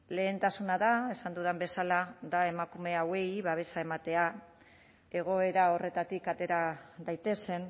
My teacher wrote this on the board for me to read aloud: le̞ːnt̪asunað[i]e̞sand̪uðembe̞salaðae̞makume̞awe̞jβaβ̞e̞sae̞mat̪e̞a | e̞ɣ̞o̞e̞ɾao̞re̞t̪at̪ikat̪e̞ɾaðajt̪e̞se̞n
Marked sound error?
yes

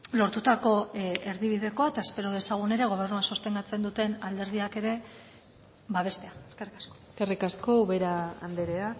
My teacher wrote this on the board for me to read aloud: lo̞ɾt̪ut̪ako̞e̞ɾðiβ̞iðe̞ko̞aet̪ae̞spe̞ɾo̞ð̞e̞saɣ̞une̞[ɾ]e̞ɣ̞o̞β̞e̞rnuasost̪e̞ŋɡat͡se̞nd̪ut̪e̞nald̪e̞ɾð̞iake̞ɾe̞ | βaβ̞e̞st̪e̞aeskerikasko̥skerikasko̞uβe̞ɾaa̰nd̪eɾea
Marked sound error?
no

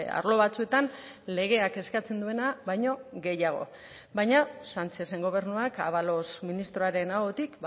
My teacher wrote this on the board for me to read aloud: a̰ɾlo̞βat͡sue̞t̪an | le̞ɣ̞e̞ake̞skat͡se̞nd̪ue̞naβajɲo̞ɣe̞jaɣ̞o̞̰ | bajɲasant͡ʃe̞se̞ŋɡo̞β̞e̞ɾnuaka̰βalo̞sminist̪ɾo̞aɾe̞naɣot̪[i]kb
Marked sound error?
no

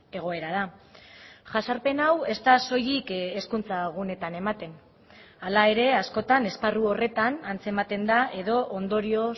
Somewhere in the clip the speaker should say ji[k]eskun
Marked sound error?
no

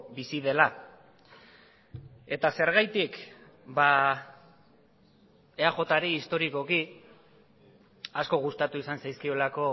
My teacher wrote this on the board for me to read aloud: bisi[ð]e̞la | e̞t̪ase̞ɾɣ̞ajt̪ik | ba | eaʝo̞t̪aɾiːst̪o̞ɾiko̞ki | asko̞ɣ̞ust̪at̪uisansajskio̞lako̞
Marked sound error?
no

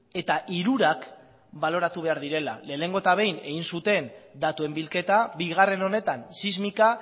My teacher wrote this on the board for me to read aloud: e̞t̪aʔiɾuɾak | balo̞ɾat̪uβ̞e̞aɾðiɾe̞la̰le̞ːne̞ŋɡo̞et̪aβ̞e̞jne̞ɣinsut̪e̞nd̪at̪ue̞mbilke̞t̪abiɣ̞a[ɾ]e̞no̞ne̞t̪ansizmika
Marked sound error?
yes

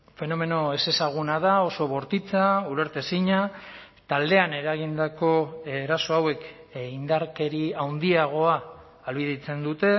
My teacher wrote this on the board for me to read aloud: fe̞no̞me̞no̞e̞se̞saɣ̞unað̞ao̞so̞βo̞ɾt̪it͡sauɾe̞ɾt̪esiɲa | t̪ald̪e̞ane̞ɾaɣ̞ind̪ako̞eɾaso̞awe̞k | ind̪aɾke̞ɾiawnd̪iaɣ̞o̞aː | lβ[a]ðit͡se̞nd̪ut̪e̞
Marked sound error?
yes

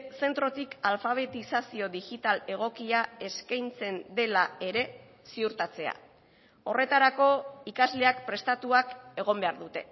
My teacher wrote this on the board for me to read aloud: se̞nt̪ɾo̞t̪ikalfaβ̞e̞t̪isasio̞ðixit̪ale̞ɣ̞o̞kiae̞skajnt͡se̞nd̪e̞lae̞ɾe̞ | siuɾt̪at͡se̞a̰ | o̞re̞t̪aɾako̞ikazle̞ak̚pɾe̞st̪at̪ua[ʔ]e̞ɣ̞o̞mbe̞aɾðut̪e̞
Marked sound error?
yes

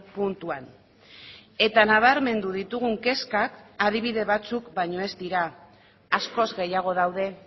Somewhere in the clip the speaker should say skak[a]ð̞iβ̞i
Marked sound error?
no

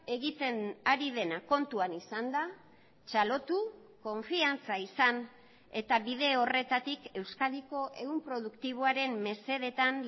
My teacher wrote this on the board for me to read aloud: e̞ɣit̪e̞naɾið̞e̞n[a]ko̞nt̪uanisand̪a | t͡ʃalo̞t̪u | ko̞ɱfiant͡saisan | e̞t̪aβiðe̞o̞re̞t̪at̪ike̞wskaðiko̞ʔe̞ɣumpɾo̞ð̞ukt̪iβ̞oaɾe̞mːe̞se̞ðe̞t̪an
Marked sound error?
no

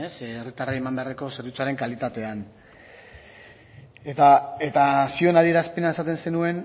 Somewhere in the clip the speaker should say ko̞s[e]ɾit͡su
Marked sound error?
no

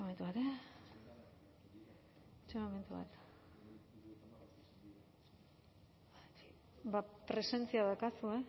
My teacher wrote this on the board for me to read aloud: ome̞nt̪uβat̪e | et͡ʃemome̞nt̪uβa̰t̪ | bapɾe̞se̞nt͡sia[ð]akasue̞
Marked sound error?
no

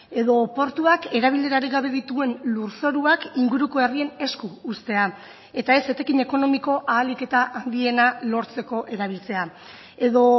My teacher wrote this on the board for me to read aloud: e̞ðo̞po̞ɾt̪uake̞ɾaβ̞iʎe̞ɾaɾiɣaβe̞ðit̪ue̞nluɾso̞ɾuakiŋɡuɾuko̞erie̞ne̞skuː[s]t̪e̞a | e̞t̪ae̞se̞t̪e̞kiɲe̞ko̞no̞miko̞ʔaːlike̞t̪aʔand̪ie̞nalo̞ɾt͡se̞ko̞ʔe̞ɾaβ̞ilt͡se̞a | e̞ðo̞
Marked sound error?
no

